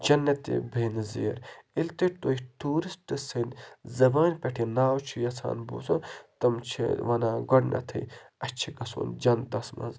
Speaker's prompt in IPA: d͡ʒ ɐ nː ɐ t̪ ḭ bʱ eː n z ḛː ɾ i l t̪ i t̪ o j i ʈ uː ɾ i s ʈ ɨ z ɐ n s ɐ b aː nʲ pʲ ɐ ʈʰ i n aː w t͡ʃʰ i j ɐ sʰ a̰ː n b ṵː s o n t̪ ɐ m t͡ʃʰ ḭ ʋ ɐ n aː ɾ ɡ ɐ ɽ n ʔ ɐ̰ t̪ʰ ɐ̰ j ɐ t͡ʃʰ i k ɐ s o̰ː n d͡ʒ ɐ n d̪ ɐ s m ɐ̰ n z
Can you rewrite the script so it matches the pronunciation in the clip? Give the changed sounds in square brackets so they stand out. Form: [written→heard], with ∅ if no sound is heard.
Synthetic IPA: d͡ʒ ɐ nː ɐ t̪ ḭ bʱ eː n z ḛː ɾ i l t̪ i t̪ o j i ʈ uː ɾ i s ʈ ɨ [z→s] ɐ n [s→z] ɐ b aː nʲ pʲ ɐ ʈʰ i n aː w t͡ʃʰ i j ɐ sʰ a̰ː n b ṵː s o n t̪ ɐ m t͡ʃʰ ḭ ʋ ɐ n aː [ɾ→∅] ɡ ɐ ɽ n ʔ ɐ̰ t̪ʰ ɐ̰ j ɐ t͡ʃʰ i [k→ɡ] ɐ s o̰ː n d͡ʒ ɐ n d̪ ɐ s m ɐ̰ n z